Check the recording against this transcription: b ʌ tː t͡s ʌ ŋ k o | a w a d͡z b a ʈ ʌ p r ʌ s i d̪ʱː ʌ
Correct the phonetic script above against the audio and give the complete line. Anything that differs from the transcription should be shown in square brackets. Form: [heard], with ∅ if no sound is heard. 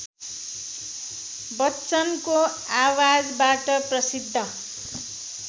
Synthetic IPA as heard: b ʌ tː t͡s ʌ [n] k o | a w a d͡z b a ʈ ʌ p r ʌ s i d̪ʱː ʌ